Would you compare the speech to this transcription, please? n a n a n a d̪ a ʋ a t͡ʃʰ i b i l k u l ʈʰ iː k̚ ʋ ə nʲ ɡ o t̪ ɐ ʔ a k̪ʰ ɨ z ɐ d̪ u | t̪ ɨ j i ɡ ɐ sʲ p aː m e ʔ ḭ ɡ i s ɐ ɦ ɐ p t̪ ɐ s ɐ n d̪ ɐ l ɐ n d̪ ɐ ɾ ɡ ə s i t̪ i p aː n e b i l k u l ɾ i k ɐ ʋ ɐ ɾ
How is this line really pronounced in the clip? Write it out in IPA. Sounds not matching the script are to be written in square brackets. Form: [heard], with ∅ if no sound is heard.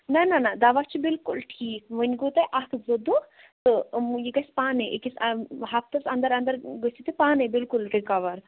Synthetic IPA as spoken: n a n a n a d̪ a ʋ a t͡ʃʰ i b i l k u l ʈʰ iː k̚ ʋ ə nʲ ɡ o t̪ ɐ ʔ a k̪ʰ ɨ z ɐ d̪ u | t̪ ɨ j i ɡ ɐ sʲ p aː [n] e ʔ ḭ [k] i s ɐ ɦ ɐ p t̪ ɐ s ɐ n d̪ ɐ [ɾ] ɐ n d̪ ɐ ɾ ɡ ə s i t̪ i p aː n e b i l k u l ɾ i k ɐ ʋ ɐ ɾ